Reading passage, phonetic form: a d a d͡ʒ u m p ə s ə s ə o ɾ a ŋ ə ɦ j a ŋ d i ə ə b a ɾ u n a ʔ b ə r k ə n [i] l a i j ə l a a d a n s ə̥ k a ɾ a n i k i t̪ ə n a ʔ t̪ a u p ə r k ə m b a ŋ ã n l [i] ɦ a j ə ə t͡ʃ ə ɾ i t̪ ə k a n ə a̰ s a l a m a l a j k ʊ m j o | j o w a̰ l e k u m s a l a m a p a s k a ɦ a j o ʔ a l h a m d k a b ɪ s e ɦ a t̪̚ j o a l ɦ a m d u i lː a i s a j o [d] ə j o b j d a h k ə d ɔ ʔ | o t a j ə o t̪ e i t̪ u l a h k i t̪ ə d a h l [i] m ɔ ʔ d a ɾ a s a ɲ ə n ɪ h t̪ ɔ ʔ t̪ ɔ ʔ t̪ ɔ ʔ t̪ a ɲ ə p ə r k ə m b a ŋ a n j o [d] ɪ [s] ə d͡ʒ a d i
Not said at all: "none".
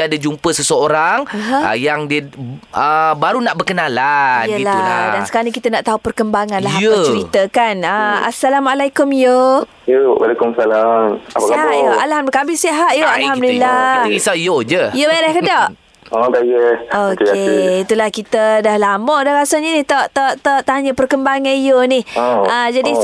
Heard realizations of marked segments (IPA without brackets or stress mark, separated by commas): a, a, d͡ʒ, a, n, h